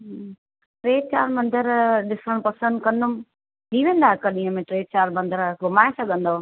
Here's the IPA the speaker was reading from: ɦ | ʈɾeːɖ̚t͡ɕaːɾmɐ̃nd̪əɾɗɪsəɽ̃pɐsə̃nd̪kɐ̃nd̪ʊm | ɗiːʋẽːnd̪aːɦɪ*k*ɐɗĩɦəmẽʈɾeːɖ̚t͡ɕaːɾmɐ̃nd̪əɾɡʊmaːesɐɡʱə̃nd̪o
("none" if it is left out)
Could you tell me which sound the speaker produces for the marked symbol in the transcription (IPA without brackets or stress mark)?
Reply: k